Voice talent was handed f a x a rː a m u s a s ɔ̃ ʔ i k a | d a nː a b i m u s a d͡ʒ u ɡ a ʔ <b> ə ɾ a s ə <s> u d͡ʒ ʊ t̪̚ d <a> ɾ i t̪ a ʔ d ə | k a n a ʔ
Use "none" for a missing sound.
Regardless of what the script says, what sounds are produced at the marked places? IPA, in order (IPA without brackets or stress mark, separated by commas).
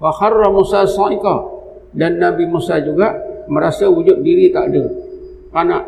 m, none, i